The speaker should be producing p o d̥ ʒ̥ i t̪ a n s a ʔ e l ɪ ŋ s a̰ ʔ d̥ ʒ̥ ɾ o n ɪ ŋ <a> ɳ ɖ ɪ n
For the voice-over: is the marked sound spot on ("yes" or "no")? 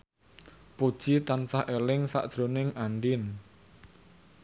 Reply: yes